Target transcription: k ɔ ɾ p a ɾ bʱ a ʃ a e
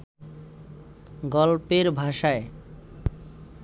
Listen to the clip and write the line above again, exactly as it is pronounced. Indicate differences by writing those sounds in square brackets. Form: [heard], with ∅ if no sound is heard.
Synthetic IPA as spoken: [ɡ] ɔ [l] p [e] ɾ bʱ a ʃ a e